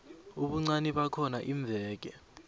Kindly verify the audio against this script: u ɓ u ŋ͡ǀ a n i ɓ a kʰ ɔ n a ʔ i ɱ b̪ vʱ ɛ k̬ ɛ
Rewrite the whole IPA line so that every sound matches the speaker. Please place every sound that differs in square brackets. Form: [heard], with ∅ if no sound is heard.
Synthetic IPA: u ɓ u ŋ͡ǀ a n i ɓ a kʰ ɔ n a ʔ i ɱ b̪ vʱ [ɛː] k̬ ɛ